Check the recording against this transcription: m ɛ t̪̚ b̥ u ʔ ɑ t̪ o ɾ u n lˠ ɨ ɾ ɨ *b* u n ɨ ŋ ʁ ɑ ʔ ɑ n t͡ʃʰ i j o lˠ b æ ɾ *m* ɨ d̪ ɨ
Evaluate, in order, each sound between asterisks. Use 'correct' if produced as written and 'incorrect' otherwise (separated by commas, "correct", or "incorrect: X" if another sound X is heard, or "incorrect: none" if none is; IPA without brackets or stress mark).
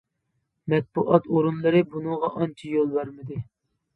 correct, correct